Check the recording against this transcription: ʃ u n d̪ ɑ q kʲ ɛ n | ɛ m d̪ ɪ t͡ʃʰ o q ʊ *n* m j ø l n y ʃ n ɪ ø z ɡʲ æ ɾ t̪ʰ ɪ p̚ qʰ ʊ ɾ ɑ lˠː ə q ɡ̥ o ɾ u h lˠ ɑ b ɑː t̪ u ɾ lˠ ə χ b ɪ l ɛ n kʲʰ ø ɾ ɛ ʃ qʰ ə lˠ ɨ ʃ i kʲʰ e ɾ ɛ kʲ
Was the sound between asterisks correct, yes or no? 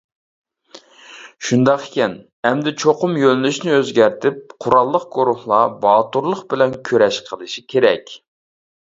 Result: no